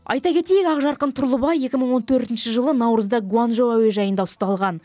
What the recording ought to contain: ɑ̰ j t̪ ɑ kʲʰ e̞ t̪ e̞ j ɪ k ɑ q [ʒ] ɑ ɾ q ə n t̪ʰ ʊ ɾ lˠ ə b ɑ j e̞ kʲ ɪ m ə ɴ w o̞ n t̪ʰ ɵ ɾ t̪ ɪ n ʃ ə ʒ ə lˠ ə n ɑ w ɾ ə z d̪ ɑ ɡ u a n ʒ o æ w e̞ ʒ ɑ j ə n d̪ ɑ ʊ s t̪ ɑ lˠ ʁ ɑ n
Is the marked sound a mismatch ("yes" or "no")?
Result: no